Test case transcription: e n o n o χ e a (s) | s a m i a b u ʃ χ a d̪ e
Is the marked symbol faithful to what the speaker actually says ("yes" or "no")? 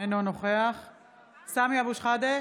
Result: no